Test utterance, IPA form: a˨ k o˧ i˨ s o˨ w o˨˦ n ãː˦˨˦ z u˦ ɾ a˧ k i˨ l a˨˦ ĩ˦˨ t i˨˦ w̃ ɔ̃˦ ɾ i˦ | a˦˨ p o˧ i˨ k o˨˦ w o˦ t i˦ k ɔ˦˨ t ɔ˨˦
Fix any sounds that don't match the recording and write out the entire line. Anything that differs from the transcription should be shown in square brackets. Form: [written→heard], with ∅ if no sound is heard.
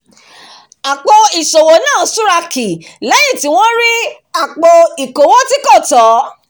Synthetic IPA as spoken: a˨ [k→k͡p] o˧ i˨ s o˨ w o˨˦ n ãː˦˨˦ [z→s] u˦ ɾ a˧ k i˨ l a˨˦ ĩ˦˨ t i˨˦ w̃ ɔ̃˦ ɾ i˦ | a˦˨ [p→k͡p] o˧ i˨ k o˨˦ w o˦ t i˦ k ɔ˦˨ t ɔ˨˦